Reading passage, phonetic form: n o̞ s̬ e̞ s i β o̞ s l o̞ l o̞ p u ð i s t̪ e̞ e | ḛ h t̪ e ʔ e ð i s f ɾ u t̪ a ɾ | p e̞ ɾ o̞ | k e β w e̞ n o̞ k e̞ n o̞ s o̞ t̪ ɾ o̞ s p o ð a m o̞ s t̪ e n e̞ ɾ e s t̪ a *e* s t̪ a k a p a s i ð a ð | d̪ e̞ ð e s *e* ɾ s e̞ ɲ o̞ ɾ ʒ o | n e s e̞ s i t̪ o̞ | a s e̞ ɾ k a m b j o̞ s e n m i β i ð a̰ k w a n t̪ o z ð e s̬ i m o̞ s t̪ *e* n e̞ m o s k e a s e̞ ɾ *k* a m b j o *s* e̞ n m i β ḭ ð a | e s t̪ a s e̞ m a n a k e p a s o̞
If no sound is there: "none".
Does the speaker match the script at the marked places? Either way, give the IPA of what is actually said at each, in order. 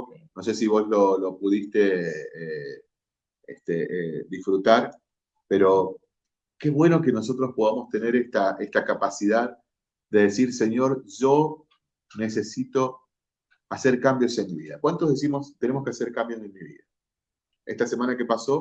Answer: e, i, e, k, s

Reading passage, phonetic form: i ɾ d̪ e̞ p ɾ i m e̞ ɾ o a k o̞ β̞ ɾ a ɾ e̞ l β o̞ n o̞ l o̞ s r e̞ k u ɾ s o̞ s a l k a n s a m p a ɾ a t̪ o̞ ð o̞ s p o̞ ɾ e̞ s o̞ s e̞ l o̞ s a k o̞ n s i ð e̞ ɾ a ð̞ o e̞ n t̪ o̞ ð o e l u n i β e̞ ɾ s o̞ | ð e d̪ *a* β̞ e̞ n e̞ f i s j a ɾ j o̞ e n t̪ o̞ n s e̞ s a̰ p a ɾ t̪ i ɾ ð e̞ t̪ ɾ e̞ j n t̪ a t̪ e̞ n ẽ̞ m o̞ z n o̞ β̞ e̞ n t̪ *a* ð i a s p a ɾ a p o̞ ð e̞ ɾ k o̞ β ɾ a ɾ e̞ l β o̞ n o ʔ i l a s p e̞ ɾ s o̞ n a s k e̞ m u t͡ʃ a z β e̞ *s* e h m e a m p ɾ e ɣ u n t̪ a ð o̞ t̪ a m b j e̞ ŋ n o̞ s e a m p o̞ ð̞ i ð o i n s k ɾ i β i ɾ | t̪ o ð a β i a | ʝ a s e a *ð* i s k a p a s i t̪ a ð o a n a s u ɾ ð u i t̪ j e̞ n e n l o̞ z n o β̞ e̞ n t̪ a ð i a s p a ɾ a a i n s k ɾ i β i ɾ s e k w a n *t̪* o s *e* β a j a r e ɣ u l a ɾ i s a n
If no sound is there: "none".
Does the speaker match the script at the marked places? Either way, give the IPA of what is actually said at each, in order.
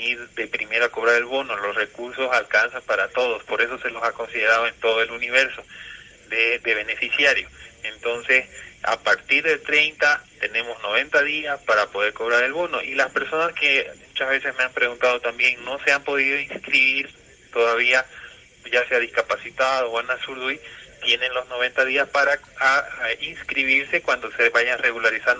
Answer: e, a, s, ð, d̪, e

